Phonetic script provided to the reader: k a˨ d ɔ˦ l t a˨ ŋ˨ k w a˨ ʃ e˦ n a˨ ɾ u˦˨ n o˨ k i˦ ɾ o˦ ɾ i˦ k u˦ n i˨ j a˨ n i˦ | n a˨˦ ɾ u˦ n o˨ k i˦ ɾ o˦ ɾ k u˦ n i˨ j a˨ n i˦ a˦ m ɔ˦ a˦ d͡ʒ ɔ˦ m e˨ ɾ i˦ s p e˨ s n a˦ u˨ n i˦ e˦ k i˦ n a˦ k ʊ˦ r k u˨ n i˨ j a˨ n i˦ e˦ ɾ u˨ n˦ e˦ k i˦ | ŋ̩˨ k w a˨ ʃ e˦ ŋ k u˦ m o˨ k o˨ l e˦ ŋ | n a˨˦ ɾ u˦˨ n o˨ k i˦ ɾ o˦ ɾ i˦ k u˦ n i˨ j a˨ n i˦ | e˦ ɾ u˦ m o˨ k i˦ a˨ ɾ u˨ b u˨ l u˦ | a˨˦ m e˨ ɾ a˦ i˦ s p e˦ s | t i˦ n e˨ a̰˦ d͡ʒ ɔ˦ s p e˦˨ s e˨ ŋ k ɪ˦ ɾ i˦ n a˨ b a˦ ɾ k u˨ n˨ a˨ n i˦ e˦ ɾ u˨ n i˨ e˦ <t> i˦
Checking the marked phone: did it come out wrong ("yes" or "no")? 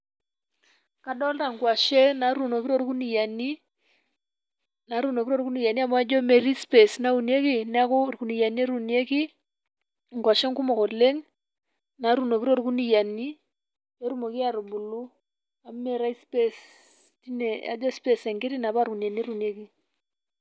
yes